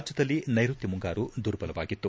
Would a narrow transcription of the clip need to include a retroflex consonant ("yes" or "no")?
no